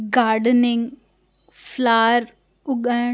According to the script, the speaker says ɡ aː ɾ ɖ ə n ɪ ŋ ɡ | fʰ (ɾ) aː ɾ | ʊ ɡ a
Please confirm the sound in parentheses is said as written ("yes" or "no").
no